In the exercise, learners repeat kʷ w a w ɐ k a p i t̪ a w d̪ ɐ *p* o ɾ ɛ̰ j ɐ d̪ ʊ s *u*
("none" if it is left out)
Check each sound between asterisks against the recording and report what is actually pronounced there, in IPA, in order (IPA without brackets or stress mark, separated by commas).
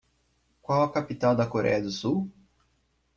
k, u